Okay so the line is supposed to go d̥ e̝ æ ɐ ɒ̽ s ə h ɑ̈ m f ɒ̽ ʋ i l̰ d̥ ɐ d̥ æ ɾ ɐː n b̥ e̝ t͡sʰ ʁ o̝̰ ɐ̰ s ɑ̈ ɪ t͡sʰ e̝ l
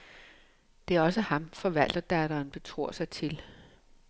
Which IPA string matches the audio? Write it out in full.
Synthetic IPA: d̥ e̝ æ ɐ ɒ̽ s ə h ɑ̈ m f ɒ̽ ʋ æ l̰ d̥ ɐ d̥ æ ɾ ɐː n b̥ e̝ t͡sʰ ʁ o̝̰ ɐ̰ s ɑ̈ ɪ t͡sʰ e̝ l